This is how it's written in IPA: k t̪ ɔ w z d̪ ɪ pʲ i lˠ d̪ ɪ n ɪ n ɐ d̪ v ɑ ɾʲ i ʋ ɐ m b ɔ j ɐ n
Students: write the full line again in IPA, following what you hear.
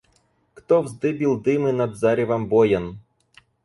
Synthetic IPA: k t̪ ɔ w z d̪ ɪ bʲ i lˠ d̪ ɪ m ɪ n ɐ d̪ z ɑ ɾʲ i ʋ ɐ m b ɔ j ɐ n

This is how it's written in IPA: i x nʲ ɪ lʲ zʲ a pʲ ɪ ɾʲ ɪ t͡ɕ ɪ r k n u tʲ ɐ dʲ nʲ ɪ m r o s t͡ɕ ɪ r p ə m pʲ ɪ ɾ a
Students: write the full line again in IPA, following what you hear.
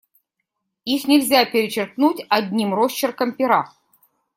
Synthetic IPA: i x nʲ ɪ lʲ zʲ a pʲ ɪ ɾʲ ɪ t͡ɕ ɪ r k n u tʲ ɐ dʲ nʲ i m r o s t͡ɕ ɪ r k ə m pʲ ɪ ɾ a

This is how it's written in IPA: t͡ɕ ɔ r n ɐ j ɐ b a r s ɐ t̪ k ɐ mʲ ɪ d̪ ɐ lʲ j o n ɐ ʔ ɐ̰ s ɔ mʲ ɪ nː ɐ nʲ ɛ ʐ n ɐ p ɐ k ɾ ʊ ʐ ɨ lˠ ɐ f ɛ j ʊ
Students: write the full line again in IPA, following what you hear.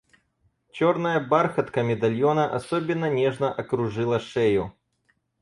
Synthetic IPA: t͡ɕ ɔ r n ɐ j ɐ b a r x ɐ t̪ k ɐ mʲ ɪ d̪ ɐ lʲ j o n ɐ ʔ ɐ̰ s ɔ bʲ ɪ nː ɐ nʲ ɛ ʐ n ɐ ʔ ɐ k ɾ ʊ ʐ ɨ lˠ ɐ ʂ ɛ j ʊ

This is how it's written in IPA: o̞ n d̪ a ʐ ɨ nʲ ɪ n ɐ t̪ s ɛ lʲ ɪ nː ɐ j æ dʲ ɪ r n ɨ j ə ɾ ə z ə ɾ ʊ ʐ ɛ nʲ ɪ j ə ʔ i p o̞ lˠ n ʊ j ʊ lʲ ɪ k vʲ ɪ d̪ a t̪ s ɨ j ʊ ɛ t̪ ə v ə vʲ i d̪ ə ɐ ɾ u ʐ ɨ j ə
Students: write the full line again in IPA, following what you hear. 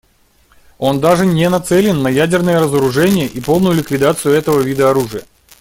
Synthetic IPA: o̞ n d̪ a ʐ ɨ nʲ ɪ n ɐ t̪ s ɛ lʲ ɪ nː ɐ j æ dʲ ɪ r n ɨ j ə ɾ ə z ə ɾ ʊ ʐ ɛ nʲ ɪ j ə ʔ i p o̞ lˠ n ʊ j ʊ lʲ ɪ k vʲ ɪ d̪ a t̪ s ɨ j ʊ ɛ t̪ ə v ə vʲ i d̪ ə ɐ ɾ u ʐ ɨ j ə

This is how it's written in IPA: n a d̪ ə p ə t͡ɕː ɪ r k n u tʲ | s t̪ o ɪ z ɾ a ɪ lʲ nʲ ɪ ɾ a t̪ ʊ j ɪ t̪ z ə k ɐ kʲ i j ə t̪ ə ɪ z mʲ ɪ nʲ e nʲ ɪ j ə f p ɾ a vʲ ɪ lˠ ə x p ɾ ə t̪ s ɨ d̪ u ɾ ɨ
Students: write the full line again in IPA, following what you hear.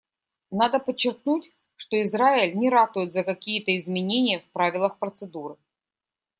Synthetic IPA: n a d̪ ə p ə t͡ɕː ɪ r k n u tʲ | ʂ t̪ o ɪ z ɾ a ɪ lʲ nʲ ɪ ɾ a t̪ ʊ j ɪ t̪ z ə k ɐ kʲ i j ə t̪ ə ɪ z mʲ ɪ nʲ e nʲ ɪ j ə f p ɾ a vʲ ɪ lˠ ə x p ɾ ə t̪ s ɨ d̪ u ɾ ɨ

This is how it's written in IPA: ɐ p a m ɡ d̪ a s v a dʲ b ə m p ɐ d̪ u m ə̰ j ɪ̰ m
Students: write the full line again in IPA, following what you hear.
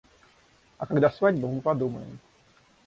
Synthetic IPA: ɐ k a ɡ d̪ a s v a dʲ b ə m p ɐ d̪ u m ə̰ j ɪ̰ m

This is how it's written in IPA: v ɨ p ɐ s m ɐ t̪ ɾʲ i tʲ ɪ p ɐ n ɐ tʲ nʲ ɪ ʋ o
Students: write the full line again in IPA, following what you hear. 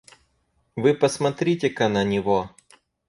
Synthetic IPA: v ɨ p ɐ s m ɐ t̪ ɾʲ i tʲ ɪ k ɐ n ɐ nʲ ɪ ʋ o

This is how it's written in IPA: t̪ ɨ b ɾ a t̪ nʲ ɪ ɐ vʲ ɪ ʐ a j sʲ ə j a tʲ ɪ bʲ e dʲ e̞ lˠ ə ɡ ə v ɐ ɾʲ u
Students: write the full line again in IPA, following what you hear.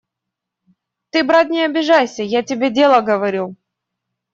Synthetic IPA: t̪ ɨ b ɾ a t̪ nʲ ɪ ɐ bʲ ɪ ʐ a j sʲ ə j a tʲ ɪ bʲ e dʲ e̞ lˠ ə ɡ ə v ɐ ɾʲ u

